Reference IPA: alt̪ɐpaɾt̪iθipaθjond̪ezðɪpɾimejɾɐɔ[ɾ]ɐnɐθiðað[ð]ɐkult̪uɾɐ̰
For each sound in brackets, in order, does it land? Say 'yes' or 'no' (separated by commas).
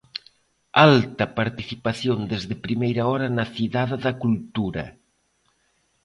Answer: yes, yes